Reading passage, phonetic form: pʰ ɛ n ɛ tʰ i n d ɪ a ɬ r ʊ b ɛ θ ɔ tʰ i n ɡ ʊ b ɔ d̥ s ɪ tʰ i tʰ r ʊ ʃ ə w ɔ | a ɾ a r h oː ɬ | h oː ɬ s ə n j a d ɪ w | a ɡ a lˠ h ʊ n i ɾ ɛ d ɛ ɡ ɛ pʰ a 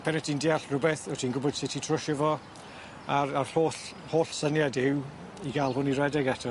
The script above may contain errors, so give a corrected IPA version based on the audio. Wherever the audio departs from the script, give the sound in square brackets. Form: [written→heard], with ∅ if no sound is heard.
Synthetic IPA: pʰ ɛ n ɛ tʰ i n d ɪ a ɬ r ʊ b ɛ θ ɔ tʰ i n ɡ ʊ b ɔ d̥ s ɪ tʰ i tʰ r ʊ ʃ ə [w→v] ɔ | a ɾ a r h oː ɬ | h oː ɬ s ə n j a d ɪ w | [a→i] ɡ a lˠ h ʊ n i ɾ ɛ d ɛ ɡ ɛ [pʰ→tʰ] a

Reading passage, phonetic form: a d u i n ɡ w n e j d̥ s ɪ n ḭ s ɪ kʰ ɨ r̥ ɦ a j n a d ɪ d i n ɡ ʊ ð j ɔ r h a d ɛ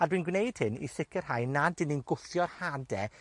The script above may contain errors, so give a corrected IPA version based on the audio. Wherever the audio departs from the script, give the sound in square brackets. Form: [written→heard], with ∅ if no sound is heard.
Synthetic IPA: a d [u→w] i n ɡ w n e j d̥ [s→h] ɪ n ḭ s ɪ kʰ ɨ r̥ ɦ a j n a d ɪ [d→n] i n ɡ ʊ [ð→θ] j ɔ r h a d ɛ

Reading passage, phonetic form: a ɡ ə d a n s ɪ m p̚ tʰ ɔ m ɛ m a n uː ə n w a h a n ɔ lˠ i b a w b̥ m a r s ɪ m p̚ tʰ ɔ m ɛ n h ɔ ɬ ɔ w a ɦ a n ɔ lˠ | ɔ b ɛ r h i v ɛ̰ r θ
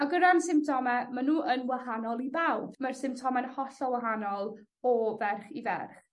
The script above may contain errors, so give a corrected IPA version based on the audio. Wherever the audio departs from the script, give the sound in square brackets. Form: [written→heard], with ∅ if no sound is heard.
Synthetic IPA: a ɡ ə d a n s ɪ m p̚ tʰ ɔ m ɛ m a n uː ə n w a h a n ɔ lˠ i b a w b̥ m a r s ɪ m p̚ tʰ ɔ m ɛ n h ɔ ɬ ɔ w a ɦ a n ɔ lˠ | ɔ [b→v] ɛ r [h→χ] i v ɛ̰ r [θ→χ]

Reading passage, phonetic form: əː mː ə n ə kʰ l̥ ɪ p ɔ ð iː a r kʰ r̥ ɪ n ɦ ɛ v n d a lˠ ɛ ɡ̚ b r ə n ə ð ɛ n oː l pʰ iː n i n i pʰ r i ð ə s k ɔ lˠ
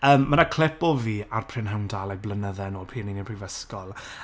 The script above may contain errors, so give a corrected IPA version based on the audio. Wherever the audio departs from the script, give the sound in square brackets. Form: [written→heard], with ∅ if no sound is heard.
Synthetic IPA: əː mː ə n [ə→a] kʰ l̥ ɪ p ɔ [ð→v] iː a r [kʰ→pʰ] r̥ ɪ n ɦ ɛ [v→w] n d a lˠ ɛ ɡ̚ b [r→l] ə n ə ð ɛ n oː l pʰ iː n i n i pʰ r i [ð→v] ə s k ɔ lˠ

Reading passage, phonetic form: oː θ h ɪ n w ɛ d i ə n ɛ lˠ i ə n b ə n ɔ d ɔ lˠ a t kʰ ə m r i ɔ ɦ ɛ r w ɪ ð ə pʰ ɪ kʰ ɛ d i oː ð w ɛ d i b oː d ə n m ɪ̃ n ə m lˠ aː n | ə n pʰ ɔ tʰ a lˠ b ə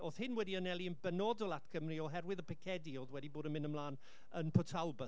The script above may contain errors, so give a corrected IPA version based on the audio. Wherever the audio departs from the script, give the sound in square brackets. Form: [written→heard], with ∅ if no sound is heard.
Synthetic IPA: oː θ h ɪ n w ɛ d i ə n ɛ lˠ i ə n b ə n ɔ d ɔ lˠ a t kʰ ə m r i ɔ ɦ ɛ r w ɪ ð ə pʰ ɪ kʰ ɛ d i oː ð w ɛ d i b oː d ə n m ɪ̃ n ə m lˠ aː n | ə n pʰ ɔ tʰ a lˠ b ə

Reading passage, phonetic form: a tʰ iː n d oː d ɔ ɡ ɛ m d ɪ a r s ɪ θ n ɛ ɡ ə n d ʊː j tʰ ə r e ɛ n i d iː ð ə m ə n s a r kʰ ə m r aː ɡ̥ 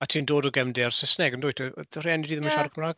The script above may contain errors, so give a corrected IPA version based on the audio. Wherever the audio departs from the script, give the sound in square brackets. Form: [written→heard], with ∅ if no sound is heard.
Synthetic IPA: a tʰ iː n d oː d ɔ ɡ ɛ m d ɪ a r s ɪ [θ→s] n ɛ ɡ ə n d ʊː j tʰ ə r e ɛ n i d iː ð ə m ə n [s→ʃ] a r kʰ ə m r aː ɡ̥

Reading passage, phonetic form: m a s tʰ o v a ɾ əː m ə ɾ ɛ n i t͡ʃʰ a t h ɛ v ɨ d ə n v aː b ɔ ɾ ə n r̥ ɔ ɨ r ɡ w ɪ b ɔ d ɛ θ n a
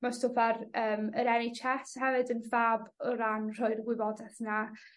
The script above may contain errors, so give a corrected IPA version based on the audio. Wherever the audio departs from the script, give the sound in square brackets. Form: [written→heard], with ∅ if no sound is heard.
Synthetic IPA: m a s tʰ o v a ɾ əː m ə ɾ ɛ n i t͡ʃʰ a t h ɛ v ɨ d ə n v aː b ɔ ɾ [ə→a] n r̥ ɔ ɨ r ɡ w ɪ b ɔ d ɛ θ n a

